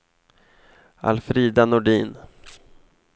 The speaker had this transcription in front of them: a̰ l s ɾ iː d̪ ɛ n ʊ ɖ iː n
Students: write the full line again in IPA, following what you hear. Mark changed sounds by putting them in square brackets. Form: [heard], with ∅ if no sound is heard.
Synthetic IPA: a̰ l [f] ɾ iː d̪ [a] n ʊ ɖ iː n